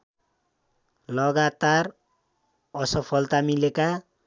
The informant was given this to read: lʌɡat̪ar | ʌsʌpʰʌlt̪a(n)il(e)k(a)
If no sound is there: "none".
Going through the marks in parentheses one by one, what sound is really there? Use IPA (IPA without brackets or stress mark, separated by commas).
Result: m, e, a